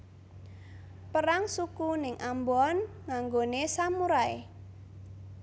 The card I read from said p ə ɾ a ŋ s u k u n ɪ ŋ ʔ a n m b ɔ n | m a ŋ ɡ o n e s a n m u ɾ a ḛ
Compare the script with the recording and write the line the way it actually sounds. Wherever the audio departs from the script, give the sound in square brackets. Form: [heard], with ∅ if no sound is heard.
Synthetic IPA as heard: p ə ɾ a ŋ s u k u n ɪ ŋ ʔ a [∅] m b ɔ n | [ŋ] a ŋ ɡ o n e s a [∅] m u ɾ a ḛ